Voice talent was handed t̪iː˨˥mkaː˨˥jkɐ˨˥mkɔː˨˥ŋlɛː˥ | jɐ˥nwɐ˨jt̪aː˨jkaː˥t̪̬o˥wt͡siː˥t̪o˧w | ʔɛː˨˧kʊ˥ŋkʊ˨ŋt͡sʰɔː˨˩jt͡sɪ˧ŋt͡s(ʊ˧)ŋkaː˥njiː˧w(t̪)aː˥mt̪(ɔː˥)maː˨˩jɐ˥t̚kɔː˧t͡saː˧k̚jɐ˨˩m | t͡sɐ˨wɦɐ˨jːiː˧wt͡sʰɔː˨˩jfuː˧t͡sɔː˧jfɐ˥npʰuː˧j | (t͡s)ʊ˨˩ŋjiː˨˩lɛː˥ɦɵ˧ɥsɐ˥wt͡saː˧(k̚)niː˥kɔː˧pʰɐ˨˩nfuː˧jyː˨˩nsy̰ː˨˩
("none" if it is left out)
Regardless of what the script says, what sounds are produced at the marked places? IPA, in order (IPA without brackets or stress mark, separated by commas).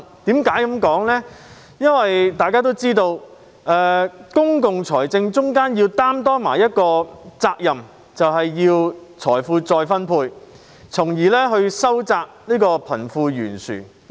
ʊ˥, t̪, ɔː˥, t͡sʰ, k̚